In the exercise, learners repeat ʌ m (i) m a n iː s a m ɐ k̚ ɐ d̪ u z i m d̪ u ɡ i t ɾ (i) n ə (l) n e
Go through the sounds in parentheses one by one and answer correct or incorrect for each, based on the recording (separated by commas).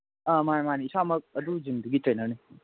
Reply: incorrect, incorrect, incorrect